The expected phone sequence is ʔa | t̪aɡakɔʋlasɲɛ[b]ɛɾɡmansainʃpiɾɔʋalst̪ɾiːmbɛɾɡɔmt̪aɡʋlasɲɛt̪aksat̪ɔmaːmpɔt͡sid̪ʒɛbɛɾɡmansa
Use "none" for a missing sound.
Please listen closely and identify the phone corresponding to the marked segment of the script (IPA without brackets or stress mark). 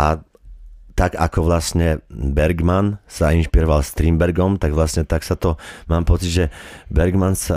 b